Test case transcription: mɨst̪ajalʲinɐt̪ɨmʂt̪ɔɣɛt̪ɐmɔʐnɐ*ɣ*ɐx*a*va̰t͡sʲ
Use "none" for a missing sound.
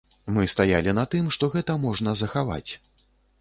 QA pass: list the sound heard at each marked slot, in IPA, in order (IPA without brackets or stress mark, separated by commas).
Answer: z, a